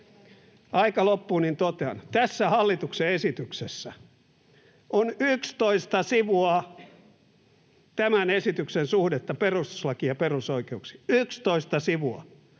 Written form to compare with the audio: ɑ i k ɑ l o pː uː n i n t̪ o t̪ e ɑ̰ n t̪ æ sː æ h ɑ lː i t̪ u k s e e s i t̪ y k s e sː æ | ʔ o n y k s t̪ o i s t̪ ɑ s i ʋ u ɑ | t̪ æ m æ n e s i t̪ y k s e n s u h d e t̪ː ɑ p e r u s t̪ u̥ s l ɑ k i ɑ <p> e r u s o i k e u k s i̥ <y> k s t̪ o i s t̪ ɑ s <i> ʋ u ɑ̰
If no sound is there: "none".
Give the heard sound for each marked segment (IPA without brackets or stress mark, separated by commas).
p, y, i